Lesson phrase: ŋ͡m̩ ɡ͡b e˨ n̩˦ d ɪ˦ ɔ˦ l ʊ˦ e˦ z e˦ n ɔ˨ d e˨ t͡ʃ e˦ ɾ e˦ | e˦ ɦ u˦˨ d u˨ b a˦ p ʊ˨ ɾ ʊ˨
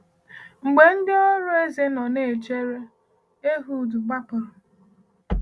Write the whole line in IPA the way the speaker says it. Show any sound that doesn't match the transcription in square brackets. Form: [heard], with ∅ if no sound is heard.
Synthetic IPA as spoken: ŋ͡m̩ ɡ͡b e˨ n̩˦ d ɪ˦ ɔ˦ [ɾ] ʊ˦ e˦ z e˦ n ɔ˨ [n] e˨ t͡ʃ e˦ ɾ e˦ | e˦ ɦ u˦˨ d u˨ [ɡ͡b] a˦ p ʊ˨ ɾ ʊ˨